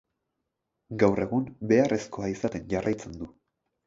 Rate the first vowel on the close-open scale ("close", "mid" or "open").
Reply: open